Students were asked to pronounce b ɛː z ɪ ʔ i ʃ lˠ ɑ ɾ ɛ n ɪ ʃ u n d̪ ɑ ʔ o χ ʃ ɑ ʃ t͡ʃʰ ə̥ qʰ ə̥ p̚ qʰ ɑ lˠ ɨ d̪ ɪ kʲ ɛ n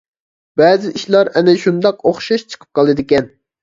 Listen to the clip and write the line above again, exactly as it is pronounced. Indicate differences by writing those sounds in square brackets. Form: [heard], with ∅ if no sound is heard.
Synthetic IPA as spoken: b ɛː z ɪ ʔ i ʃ lˠ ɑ ɾ ɛ n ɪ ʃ u n d̪ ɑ [q] o χ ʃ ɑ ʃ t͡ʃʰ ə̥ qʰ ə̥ p̚ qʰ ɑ lˠ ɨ d̪ ɪ kʲ ɛ n